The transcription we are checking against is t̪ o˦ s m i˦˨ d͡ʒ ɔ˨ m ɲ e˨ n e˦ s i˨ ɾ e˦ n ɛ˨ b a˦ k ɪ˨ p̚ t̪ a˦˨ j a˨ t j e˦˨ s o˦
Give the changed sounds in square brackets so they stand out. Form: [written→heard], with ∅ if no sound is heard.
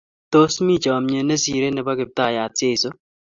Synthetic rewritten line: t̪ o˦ s m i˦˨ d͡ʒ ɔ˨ m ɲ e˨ n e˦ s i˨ ɾ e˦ n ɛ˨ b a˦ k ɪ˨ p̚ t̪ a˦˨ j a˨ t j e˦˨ s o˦